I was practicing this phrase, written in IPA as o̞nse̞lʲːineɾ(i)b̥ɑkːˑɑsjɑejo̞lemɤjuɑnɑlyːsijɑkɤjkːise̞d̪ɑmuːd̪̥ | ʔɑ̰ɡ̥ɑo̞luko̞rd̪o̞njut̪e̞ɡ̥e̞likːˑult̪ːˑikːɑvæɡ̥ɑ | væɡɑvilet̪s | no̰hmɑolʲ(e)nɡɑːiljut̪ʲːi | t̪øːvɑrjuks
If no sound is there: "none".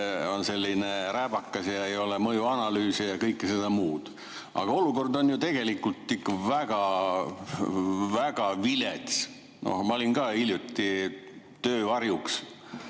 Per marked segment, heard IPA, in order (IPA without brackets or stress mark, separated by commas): æ, i